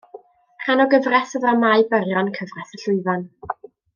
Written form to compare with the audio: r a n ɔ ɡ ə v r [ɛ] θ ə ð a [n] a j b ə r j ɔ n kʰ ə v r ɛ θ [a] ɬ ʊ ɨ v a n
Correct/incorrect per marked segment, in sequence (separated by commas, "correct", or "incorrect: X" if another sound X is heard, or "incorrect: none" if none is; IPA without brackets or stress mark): correct, incorrect: m, incorrect: ə